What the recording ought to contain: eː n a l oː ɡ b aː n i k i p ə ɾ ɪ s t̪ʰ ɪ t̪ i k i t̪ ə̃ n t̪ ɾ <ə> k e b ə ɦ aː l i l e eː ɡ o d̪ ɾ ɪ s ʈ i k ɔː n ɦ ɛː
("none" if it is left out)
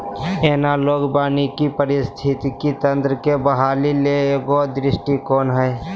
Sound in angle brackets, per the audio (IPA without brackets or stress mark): ə